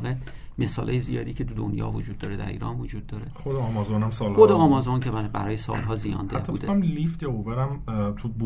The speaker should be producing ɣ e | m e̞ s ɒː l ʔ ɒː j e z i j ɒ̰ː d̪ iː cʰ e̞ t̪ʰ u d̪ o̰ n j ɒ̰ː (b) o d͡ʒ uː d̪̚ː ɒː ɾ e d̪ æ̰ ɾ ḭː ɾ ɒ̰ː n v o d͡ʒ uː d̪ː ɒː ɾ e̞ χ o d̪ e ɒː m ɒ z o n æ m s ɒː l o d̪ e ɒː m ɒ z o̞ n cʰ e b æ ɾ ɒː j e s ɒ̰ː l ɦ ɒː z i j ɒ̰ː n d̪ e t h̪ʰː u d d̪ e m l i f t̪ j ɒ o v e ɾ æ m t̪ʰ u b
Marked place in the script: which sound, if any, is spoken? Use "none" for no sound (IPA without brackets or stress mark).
v